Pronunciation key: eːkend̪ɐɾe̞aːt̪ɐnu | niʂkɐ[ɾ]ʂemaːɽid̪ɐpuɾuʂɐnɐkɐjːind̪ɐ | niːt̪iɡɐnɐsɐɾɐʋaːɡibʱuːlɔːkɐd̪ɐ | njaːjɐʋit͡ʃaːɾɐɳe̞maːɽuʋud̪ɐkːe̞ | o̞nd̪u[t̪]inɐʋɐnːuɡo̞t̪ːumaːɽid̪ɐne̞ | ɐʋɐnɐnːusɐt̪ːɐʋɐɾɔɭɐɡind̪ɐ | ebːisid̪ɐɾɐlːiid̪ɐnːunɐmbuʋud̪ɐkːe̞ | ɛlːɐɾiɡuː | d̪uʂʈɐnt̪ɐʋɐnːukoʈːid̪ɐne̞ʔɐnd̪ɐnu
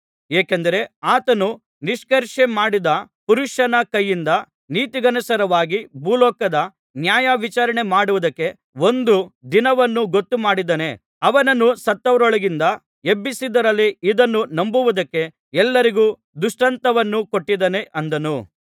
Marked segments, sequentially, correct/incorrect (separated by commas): correct, incorrect